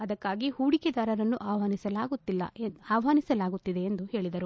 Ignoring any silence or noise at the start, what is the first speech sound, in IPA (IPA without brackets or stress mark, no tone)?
ɐ